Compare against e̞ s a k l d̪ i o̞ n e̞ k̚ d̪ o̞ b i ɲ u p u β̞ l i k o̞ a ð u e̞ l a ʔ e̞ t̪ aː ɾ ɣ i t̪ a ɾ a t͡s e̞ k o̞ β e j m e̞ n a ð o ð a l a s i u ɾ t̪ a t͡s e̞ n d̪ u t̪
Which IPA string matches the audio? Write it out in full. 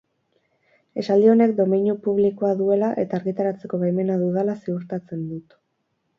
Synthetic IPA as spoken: e̞ s a l d̪ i o̞ n e̞ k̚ d̪ o̞ m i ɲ u p u β̞ l i k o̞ a ð u e̞ l a ʔ e̞ t̪ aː ɾ ɣ i t̪ a ɾ a t͡s e̞ k o̞ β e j m e̞ n a ð u ð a l a s i u ɾ t̪ a t͡s e̞ n d̪ u t̪